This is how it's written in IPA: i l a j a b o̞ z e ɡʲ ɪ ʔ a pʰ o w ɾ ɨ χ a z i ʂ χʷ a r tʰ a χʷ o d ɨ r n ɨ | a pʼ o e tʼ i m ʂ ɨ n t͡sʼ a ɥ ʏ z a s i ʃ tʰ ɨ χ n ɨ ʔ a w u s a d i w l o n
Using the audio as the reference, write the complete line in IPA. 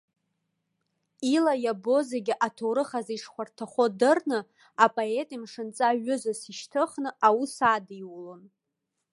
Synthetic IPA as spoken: i l a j a b o̞ z e ɡʲ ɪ ʔ a tʰ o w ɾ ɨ χ a z i ʂ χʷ a r tʰ a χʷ o d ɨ r n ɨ | a pʼ o e tʼ i m ʂ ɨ n t͡sʼ a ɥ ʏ z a s i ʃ tʰ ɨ χ n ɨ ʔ a w u s a d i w l o n